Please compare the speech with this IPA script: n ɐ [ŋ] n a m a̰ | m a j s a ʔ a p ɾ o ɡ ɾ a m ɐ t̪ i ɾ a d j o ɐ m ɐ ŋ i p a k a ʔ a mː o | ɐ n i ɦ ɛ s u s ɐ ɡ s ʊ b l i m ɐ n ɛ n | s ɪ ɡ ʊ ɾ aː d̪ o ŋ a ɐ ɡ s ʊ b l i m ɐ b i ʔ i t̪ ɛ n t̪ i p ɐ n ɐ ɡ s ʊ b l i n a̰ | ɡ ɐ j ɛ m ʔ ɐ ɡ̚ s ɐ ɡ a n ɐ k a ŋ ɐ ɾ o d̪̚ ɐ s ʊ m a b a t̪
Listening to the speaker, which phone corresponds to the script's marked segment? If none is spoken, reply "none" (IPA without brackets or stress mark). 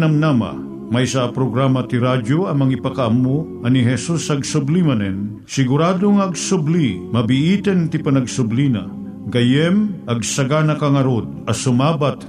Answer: m